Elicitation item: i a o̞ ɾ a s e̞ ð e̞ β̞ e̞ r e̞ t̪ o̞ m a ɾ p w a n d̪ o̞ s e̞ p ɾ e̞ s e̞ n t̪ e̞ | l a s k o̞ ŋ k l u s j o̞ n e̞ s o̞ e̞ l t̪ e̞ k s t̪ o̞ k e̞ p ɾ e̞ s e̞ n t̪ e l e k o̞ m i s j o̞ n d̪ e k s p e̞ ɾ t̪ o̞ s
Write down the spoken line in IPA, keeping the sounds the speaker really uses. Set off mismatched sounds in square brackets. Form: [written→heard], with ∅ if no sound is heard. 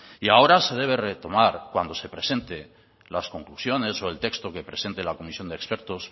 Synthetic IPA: i a o̞ ɾ a s e̞ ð e̞ β̞ e̞ r e̞ t̪ o̞ m a ɾ [p→k] w a n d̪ o̞ s e̞ p ɾ e̞ s e̞ n t̪ e̞ | l a s k o̞ ŋ k l u s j o̞ n e̞ s o̞ e̞ l t̪ e̞ k s t̪ o̞ k e̞ p ɾ e̞ s e̞ n t̪ e l [e→a] k o̞ m i s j o̞ n d̪ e k s p e̞ ɾ t̪ o̞ s